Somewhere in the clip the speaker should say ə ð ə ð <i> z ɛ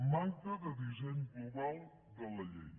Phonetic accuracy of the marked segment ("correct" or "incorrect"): correct